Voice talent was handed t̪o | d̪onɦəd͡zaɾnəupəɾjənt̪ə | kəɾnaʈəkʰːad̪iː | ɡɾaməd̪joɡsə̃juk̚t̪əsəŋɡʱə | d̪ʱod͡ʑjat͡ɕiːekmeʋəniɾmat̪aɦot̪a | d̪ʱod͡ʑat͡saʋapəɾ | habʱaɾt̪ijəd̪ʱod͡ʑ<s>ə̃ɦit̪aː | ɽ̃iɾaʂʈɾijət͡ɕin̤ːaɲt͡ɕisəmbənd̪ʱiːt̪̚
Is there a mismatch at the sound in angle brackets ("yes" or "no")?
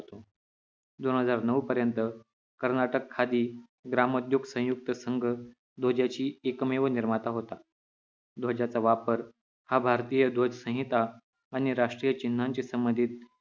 no